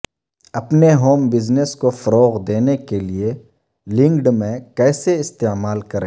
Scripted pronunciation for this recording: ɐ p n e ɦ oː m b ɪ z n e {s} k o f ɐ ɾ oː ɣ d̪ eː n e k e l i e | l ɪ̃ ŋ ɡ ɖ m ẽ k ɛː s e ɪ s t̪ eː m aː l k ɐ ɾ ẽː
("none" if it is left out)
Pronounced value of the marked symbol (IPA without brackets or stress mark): s